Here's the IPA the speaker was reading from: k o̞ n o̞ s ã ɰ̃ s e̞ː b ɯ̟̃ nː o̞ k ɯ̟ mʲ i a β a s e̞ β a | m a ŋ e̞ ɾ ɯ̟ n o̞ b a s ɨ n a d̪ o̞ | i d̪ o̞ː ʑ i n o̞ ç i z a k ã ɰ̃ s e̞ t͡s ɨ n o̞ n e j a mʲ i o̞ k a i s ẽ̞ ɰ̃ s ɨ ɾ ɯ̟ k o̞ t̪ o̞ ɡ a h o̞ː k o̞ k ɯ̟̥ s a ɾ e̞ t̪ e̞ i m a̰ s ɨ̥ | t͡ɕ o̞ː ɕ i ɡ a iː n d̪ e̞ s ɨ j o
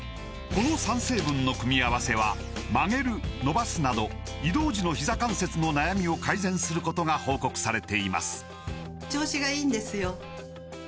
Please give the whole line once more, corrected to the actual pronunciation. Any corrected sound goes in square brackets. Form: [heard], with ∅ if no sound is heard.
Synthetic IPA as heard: k o̞ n o̞ s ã ɰ̃ s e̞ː b ɯ̟̃ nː o̞ k ɯ̟ mʲ i a β a s e̞ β a | m a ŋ e̞ ɾ ɯ̟ n o̞ b a s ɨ n a d̪ o̞ | i d̪ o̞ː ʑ i n o̞ ç i z a k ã ɰ̃ s e̞ t͡s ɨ n o̞ n [a] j a mʲ i o̞ k a i [z] ẽ̞ ɰ̃ s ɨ ɾ ɯ̟ k o̞ t̪ o̞ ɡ a h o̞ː k o̞ k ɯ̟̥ s a ɾ e̞ t̪ e̞ i m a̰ s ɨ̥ | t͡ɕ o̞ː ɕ i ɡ a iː n d̪ e̞ s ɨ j o